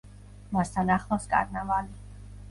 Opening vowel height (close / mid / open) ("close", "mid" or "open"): open